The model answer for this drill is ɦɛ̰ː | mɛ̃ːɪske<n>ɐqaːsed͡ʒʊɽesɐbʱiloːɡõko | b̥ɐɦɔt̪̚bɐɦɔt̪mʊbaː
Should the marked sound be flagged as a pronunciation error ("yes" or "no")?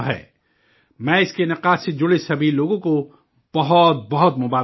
no